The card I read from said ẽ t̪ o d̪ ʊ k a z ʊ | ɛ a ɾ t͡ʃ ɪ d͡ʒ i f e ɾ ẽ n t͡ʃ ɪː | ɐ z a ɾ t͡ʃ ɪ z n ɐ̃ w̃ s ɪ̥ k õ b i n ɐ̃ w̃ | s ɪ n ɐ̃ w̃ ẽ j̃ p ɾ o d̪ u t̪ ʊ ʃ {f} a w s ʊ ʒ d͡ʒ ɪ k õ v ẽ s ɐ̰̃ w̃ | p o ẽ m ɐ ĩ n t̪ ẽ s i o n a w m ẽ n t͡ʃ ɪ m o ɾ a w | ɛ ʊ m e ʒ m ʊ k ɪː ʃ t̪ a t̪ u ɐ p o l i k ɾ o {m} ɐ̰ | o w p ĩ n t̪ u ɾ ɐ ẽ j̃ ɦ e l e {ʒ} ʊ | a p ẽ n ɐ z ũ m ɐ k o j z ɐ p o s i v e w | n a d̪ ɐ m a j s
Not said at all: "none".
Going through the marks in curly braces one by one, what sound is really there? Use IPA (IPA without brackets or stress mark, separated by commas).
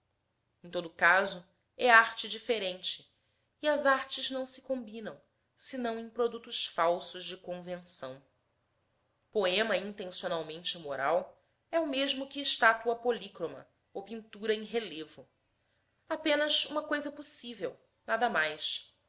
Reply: f, m, v